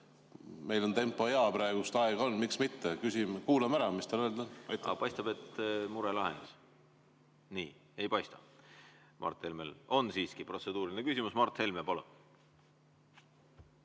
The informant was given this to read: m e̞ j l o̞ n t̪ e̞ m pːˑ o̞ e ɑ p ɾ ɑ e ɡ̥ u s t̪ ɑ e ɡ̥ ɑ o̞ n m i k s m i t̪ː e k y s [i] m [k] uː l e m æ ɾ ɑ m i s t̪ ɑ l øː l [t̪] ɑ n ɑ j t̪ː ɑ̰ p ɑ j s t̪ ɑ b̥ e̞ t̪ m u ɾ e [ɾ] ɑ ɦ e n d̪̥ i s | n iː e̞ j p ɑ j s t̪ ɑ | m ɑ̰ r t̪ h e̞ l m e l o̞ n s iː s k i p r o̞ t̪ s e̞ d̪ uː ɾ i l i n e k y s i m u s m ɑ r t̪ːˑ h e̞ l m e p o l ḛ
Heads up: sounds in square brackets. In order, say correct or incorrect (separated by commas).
correct, correct, incorrect, incorrect